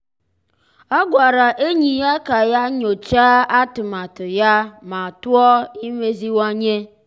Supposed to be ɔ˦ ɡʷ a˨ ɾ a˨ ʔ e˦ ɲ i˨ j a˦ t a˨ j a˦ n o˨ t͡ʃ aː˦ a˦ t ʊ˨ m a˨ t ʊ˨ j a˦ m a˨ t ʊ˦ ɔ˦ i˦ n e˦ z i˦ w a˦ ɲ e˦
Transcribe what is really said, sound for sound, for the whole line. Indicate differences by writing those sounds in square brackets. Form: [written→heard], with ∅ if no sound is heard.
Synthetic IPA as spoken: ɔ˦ ɡʷ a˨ ɾ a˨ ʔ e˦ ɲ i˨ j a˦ [t→k] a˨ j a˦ [n→ɲ] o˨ t͡ʃ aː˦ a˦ t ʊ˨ m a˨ t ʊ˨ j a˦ m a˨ t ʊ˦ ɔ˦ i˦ [n→m] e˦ z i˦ w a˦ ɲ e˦